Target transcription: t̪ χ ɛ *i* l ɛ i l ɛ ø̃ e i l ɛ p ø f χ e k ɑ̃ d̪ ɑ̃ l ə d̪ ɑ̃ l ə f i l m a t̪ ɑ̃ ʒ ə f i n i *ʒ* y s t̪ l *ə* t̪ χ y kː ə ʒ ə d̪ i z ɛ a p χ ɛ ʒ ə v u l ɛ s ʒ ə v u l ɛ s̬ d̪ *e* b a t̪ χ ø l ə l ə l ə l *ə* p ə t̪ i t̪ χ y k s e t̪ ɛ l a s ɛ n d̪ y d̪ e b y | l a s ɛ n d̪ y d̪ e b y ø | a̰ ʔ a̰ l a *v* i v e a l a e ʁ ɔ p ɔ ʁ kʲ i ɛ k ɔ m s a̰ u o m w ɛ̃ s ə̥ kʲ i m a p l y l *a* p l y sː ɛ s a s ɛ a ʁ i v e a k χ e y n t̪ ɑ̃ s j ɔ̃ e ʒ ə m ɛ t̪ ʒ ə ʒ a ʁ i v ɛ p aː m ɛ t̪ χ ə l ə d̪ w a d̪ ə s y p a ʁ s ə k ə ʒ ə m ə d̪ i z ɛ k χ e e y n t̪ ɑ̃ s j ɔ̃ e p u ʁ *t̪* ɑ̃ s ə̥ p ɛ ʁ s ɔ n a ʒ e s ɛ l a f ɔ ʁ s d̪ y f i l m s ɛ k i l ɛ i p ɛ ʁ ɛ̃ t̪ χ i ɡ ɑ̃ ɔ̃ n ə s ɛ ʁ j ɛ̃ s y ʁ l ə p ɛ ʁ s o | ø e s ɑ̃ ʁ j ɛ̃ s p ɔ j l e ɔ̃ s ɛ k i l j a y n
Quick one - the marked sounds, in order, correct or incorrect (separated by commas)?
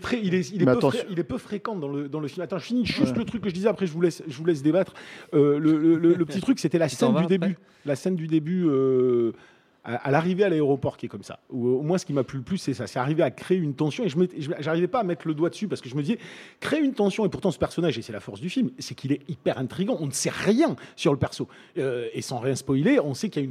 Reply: correct, correct, correct, correct, correct, incorrect, incorrect, correct